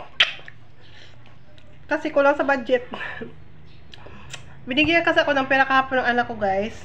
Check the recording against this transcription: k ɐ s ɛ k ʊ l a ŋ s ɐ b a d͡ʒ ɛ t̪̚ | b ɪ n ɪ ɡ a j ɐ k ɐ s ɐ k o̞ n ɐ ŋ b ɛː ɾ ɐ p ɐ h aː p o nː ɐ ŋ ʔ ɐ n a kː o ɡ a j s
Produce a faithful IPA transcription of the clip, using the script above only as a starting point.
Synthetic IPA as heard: k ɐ s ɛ k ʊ l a ŋ s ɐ b a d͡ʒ ɛ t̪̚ | b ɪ n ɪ ɡ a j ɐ k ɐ s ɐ k o̞ n ɐ ŋ p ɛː ɾ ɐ k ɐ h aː p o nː ɐ ŋ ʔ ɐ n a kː o ɡ a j s

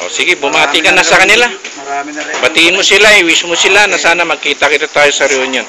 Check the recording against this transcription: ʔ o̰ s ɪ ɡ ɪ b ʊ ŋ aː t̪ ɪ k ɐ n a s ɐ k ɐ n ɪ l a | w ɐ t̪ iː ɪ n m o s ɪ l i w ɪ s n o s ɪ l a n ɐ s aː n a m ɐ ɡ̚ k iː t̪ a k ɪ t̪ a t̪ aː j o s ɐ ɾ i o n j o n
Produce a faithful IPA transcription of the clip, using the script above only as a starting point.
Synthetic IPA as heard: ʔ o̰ s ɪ ɡ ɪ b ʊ m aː t̪ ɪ k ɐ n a s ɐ k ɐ n ɪ l a | b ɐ t̪ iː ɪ n m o s ɪ l a w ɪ s m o s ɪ l a n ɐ s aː n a m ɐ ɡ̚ k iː t̪ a k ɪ t̪ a t̪ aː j o s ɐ ɾ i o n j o n

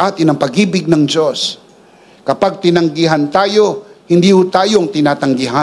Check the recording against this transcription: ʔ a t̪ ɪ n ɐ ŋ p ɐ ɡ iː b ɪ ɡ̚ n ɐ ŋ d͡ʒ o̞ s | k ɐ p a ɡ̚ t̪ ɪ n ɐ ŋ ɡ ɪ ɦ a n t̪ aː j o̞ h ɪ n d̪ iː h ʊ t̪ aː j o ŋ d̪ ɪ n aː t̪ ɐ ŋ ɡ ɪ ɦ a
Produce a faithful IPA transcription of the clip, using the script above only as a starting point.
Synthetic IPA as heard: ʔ a t̪ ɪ n ɐ ŋ p ɐ ɡ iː b ɪ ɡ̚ n ɐ ŋ d͡ʒ o̞ s | k ɐ p a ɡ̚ t̪ ɪ n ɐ ŋ ɡ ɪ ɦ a n t̪ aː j o̞ h ɪ n d̪ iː h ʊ t̪ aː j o ŋ t̪ ɪ n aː t̪ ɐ ŋ ɡ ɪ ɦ a

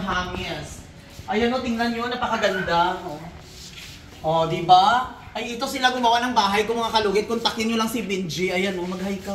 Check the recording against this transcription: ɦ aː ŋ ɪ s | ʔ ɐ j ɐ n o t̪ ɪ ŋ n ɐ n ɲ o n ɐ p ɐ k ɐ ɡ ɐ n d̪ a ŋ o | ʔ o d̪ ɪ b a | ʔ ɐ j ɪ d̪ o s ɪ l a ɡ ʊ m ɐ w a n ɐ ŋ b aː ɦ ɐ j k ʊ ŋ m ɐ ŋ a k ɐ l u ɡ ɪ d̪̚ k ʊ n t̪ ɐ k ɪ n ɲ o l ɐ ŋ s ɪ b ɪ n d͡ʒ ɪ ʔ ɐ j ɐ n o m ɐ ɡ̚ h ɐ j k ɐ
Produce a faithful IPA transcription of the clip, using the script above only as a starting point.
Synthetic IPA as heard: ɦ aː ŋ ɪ s | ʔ ɐ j ɐ n o t̪ ɪ ŋ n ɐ n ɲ o n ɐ p ɐ k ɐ ɡ ɐ n d̪ a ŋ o | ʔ o d̪ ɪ b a | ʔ ɐ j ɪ t̪ o s ɪ l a ɡ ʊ m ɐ w a n ɐ ŋ b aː ɦ ɐ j k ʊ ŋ m ɐ ŋ a k ɐ l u ɡ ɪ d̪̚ k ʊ n t̪ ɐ k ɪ n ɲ o l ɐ ŋ s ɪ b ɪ n d͡ʒ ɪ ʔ ɐ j ɐ n o m ɐ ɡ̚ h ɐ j k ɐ

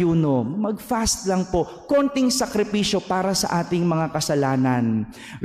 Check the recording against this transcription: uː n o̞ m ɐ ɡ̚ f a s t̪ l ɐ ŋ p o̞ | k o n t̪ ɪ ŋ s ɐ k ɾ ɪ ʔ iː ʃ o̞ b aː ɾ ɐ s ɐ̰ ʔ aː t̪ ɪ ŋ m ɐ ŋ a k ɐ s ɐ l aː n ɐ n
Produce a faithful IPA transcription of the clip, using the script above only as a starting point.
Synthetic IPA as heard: uː n o̞ m ɐ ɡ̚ f a s t̪ l ɐ ŋ p o̞ | k o n t̪ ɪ ŋ s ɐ k ɾ ɪ p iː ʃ o̞ p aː ɾ ɐ s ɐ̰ ʔ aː t̪ ɪ ŋ m ɐ ŋ a k ɐ s ɐ l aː n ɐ n

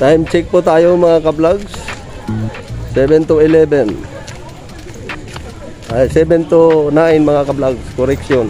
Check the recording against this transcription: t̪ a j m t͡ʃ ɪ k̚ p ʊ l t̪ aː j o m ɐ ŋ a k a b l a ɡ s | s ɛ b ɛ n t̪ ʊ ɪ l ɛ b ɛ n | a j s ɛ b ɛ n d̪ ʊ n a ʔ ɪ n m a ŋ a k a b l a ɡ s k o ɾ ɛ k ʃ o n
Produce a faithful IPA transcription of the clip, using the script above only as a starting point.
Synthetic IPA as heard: t̪ a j m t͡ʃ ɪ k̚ p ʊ t̪ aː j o m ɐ ŋ a k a b l a ɡ s | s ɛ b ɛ n t̪ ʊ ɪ l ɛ b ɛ n | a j s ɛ b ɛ n t̪ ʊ n a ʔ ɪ n m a ŋ a k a b l a ɡ s k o ɾ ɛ k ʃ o n

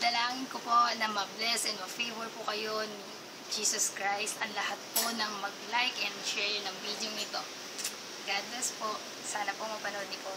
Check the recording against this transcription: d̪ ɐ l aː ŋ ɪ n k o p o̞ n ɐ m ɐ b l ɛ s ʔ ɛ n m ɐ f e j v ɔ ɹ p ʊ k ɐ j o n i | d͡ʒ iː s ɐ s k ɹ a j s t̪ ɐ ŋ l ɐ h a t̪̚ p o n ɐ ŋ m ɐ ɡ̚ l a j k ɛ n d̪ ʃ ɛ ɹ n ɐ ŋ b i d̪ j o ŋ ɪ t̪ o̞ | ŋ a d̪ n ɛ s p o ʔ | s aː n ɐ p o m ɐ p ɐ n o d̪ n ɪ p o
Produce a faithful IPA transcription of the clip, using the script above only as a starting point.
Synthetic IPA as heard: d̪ ɐ l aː ŋ ɪ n k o p o̞ n ɐ m ɐ b l ɛ s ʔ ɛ n m ɐ f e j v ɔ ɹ p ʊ k ɐ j o n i | d͡ʒ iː s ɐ s k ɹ a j s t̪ ɐ ŋ l ɐ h a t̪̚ p o n ɐ ŋ m ɐ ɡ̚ l a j k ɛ n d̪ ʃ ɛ ɹ n ɐ ŋ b i d̪ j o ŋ ɪ t̪ o̞ | ɡ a d̪ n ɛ s p o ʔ | s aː n ɐ p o m ɐ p ɐ n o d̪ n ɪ p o

